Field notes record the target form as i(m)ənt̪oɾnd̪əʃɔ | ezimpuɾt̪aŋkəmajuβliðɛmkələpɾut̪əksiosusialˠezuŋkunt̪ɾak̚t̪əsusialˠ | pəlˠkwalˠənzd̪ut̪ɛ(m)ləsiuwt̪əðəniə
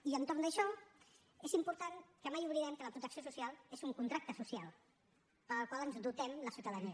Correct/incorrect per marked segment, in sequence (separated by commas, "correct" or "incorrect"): incorrect, correct